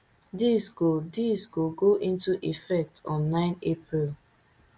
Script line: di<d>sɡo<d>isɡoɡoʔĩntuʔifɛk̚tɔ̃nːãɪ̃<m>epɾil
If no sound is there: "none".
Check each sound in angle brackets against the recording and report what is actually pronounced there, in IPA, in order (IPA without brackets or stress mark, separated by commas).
none, d, n